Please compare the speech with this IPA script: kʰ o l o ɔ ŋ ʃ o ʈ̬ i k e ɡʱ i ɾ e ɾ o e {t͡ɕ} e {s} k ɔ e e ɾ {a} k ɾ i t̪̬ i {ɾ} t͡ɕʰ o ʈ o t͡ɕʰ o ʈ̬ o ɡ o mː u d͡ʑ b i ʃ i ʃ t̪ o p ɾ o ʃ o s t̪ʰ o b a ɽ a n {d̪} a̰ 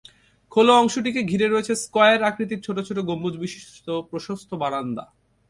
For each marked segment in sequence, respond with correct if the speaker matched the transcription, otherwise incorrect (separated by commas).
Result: incorrect, correct, correct, correct, correct